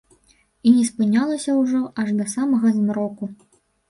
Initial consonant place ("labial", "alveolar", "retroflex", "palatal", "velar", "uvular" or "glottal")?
alveolar